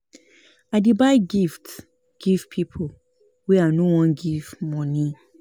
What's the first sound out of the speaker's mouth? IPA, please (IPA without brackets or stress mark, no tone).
a